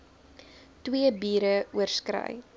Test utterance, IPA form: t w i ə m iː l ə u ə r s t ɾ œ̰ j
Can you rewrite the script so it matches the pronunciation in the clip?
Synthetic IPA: t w i ə b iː ɾ ə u ə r s k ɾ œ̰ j